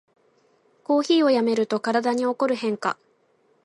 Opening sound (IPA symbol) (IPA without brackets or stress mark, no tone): k